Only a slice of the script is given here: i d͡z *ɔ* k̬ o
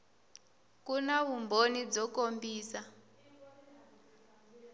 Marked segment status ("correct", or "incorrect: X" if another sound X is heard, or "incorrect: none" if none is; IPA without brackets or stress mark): correct